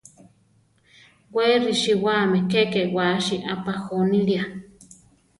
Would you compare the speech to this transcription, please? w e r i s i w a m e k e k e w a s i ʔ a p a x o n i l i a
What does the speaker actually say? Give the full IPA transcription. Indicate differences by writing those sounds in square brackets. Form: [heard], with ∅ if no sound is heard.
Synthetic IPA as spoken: w e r i [ʃ] i w a m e k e k e w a [ʃ] i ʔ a p a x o n i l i a